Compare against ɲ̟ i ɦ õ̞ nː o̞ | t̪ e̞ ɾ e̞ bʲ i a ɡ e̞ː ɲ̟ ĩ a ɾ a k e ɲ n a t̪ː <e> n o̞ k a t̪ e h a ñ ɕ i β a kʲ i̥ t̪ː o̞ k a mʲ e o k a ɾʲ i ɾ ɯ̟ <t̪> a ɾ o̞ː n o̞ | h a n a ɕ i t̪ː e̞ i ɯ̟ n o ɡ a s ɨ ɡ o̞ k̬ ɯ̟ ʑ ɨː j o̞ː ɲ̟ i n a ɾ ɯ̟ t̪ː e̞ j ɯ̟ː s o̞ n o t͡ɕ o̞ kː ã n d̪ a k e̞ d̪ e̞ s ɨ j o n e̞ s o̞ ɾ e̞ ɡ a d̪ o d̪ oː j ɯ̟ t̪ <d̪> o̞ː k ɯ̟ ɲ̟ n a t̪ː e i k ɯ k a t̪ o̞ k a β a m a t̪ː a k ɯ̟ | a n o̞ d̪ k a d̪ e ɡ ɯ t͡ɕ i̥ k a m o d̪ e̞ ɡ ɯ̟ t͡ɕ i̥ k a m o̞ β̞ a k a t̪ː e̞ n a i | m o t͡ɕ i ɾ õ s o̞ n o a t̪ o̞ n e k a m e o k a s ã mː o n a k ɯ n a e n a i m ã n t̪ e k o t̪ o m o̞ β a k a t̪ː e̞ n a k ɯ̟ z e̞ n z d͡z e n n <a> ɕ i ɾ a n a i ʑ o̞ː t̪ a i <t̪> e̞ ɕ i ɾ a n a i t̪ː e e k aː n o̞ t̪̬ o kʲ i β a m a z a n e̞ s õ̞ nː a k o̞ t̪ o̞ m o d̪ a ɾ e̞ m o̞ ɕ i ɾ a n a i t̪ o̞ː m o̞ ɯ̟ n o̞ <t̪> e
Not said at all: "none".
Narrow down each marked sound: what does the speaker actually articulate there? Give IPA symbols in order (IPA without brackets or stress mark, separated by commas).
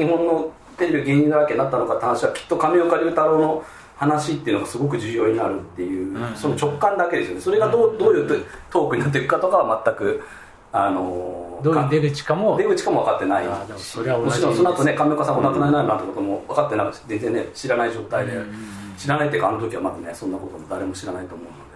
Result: a, t̪, t̪, e, d̪, d̪